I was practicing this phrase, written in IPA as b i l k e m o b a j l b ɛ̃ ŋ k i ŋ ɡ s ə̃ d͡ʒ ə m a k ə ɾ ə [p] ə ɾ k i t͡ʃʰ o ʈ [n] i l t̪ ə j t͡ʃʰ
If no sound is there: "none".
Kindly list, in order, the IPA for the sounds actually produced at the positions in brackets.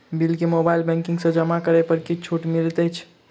p, m

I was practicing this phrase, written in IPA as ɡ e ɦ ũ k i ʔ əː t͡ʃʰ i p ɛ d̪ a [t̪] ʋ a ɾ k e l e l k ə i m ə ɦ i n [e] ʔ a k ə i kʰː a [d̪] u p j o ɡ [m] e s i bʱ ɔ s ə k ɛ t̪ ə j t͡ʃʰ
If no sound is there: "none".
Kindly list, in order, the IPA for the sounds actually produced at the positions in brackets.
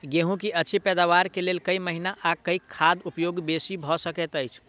none, a, d̪, b

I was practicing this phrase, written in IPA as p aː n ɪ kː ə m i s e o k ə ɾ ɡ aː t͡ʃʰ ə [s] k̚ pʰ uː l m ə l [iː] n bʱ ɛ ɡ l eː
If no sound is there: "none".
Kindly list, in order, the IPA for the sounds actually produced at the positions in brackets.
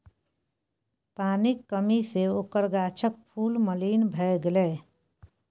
none, iː

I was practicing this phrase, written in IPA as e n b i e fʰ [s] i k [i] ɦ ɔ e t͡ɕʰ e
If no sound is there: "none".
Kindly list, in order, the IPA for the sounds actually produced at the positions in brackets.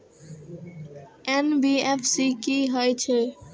s, i

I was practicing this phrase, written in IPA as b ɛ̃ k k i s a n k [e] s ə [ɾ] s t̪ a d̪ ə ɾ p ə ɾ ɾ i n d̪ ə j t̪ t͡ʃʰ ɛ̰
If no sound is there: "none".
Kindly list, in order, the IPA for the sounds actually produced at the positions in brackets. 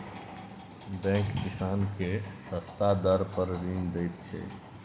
e, none

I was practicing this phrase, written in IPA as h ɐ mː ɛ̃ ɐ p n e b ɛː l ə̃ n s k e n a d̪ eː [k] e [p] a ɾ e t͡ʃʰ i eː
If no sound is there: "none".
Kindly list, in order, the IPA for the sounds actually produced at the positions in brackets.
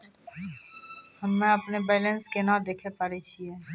kʰ, p

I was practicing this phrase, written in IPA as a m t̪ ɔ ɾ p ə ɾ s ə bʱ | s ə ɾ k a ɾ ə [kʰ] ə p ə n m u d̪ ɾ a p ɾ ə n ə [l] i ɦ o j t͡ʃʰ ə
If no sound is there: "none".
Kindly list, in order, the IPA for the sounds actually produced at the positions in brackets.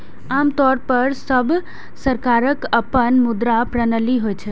k, l

